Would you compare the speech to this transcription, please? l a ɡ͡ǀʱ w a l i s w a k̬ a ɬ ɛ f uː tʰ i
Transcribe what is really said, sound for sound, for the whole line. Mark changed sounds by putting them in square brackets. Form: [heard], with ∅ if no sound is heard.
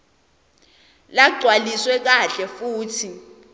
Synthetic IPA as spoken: l a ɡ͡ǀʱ w a l i s w [ɛ] k̬ a ɬ ɛ f uː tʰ i

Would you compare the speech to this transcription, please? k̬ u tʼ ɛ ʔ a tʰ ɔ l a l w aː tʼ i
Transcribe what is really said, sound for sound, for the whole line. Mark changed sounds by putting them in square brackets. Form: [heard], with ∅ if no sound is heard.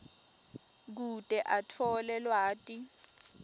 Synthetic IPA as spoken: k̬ u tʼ ɛ ʔ a tʰ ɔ l [ɛ] l w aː tʼ i

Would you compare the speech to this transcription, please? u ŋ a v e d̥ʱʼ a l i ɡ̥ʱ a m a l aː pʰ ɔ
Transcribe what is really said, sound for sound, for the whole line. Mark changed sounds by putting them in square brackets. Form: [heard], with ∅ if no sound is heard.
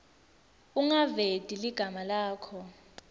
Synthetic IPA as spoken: u ŋ a v e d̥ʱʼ [i] l i ɡ̥ʱ a m a l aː [kʰ] ɔ

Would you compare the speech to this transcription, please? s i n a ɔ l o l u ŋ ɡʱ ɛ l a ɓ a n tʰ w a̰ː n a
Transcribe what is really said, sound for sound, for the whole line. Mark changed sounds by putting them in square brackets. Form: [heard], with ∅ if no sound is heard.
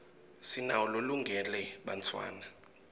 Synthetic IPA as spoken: s i n a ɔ l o l u ŋ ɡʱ ɛ l [ɛ] ɓ a n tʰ w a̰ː n a

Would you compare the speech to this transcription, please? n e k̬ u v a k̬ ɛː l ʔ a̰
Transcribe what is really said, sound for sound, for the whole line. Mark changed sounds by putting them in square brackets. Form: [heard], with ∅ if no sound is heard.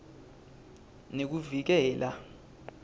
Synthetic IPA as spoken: n e k̬ u v [i] k̬ ɛː l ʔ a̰

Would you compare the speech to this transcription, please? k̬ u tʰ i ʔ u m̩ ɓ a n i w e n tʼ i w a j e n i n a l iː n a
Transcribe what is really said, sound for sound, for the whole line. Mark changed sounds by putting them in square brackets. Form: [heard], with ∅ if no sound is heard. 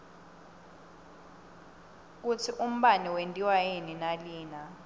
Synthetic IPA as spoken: k̬ u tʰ i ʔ u m̩ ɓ a n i w e n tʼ i w a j e n i n a l iː n a

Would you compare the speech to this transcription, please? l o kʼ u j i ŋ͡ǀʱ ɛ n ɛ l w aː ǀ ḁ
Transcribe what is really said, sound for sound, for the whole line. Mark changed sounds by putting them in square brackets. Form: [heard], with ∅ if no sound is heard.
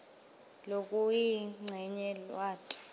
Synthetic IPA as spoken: l o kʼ u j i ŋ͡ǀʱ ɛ [ɲ] ɛ l w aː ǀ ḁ

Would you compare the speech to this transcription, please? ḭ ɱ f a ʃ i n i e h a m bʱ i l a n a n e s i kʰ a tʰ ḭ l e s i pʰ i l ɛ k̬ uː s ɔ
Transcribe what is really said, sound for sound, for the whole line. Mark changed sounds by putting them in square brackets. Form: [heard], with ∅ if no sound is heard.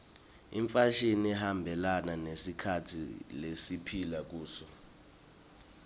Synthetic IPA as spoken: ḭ ɱ f a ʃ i n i [ɛ] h a m bʱ [ɛ] l a n a n e s i kʰ a tʰ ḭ l e s i pʰ i l [a] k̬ uː s ɔ

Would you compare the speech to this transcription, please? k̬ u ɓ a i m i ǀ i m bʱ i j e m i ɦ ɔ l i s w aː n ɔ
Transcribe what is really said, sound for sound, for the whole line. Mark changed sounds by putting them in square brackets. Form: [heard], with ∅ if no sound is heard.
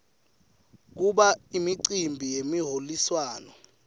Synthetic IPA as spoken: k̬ u ɓ a i m i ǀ i m bʱ i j e m i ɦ [o] l i s w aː n ɔ

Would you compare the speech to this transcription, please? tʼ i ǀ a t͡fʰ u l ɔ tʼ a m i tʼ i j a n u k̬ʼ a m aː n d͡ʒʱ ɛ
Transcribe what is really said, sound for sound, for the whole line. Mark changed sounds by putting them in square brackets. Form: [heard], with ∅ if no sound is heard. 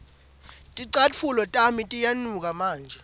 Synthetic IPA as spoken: tʼ i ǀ a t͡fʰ u l ɔ tʼ a m i tʼ i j a n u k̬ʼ a m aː n d͡ʒʱ ɛ

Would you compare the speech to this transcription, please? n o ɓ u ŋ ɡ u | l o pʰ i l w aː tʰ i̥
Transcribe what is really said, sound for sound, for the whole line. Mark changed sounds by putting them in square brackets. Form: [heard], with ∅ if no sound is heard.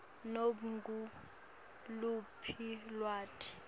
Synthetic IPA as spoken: n o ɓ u ŋ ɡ u | l [u] pʰ i l w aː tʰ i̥

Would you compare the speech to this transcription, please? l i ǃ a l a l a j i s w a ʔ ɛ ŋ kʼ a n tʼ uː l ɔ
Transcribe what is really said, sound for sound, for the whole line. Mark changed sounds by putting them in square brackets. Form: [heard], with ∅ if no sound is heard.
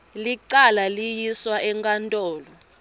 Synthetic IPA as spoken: l i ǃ a l a l [i] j i s w a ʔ ɛ ŋ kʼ a n tʼ [ɔː] l ɔ

